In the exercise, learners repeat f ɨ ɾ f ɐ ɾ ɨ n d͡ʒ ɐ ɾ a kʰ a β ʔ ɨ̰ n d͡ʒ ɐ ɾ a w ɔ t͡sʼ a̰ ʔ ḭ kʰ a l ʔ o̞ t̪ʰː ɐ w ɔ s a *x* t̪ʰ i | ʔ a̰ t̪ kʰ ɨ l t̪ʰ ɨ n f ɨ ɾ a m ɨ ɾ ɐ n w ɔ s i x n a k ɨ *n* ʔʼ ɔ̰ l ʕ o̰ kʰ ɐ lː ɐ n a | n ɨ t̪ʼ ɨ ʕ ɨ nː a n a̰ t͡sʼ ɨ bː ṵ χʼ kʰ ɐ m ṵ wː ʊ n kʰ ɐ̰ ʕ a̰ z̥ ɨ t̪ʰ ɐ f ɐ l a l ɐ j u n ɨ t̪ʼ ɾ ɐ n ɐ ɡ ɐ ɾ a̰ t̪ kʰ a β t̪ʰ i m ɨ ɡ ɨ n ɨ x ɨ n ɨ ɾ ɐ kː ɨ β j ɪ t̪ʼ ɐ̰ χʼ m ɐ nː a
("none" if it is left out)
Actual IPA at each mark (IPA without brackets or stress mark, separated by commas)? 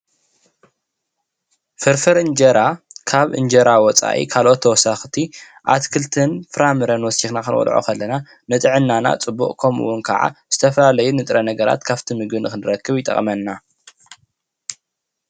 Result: x, n